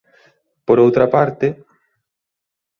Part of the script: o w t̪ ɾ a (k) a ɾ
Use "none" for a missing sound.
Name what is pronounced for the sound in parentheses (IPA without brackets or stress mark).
p